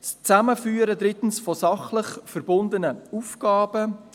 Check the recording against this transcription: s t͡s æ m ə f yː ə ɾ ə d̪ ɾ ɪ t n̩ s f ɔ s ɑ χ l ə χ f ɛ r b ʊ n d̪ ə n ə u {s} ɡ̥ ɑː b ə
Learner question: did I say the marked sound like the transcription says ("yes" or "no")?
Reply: no